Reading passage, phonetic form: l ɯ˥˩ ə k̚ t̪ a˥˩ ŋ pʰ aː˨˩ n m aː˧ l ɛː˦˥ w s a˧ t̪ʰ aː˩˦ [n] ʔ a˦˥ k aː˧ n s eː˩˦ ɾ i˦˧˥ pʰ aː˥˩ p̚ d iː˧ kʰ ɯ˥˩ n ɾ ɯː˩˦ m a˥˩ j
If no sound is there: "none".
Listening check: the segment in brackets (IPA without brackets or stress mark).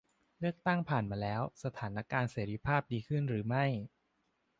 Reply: n